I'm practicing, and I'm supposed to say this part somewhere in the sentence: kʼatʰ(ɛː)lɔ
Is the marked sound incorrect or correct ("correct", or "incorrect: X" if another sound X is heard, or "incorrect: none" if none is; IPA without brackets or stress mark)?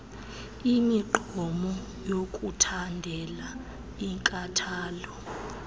incorrect: aː